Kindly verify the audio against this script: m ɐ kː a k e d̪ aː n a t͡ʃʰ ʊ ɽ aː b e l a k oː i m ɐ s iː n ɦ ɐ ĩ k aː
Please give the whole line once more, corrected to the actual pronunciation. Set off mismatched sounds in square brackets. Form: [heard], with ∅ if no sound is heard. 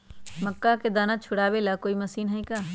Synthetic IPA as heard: m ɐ kː a k e d̪ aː n a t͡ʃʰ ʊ ɽ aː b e l a k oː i m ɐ s iː n ɦ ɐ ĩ k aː